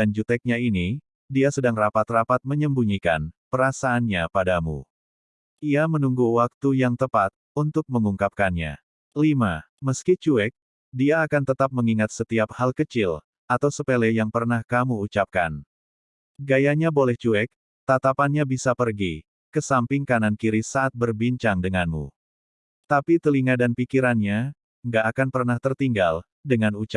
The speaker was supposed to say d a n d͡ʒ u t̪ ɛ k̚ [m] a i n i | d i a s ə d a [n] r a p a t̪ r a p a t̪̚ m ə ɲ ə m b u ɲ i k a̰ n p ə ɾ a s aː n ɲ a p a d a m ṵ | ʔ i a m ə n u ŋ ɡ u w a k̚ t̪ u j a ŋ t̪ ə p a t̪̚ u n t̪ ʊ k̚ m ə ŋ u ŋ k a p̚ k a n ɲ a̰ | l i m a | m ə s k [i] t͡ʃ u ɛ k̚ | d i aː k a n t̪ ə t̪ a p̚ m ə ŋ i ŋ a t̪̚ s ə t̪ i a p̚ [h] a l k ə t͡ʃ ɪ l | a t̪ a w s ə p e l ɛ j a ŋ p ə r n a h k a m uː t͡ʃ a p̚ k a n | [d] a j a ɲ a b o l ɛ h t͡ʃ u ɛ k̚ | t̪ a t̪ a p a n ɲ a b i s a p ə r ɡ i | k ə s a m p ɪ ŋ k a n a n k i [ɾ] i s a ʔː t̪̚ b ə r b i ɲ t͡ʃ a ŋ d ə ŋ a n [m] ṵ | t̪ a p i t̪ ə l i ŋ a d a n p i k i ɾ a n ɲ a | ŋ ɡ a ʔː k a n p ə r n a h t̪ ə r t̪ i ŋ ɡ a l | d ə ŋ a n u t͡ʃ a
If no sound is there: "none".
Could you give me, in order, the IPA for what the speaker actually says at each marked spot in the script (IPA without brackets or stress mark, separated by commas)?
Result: ɲ, ŋ, i, h, ɡ, ɾ, m